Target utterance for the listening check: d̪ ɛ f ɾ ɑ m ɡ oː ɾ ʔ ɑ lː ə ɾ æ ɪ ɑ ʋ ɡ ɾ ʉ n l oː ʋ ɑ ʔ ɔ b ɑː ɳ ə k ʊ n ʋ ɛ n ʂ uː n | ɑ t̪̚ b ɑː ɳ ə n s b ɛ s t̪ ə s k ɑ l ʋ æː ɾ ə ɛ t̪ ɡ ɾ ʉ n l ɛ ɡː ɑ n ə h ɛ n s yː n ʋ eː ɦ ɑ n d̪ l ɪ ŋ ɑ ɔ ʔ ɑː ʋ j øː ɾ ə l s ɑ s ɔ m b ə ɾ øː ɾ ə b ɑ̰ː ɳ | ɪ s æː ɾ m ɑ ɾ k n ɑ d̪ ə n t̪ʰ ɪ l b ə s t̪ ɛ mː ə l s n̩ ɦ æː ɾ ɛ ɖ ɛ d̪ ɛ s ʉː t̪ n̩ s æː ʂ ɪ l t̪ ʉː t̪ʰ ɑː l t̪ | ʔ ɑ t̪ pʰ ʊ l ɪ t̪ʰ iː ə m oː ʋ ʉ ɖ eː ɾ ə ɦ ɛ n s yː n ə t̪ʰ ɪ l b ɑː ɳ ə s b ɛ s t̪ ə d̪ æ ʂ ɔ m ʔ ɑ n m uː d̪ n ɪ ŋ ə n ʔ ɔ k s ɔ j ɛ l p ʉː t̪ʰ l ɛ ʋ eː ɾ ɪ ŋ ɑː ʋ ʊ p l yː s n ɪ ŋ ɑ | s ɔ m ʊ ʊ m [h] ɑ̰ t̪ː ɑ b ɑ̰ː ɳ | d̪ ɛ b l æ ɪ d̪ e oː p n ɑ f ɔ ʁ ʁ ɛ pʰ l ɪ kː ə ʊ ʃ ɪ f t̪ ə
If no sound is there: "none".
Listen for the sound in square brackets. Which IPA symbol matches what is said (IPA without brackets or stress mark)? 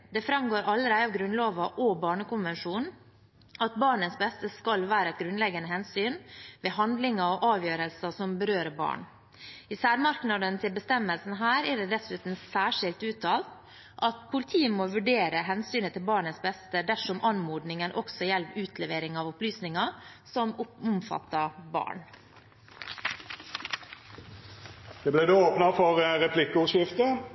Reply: f